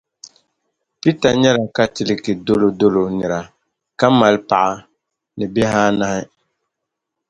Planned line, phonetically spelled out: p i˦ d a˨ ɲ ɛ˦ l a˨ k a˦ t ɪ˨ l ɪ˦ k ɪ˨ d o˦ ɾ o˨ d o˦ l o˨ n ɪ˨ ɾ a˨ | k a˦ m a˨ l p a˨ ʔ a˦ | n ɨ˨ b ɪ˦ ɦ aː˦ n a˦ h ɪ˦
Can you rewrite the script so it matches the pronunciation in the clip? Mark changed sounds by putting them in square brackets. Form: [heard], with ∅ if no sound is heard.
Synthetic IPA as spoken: p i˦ [t] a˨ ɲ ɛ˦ l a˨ k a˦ t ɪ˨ l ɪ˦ k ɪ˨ d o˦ [l] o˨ d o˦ l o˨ n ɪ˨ ɾ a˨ | k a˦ m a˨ l p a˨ ʔ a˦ | n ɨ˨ b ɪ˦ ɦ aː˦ n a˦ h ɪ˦